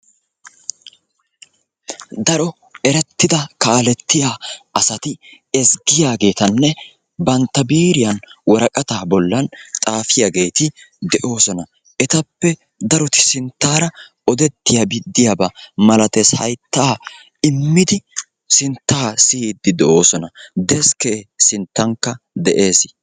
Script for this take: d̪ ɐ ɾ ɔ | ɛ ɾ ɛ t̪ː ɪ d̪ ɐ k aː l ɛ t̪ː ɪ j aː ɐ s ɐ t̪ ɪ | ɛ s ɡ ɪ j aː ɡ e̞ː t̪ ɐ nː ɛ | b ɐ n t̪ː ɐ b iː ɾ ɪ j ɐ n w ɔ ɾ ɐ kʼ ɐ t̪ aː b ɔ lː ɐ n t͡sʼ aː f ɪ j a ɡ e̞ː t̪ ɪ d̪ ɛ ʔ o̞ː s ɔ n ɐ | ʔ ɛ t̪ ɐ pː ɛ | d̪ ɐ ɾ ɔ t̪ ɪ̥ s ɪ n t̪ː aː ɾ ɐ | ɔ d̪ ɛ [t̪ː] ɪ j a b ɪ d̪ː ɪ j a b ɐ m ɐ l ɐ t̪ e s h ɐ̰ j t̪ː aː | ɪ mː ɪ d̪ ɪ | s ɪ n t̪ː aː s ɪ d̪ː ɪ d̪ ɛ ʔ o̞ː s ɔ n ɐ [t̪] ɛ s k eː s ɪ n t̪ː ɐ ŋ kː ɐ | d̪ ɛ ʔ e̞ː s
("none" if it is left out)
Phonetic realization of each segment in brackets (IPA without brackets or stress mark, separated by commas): t̪ː, d̪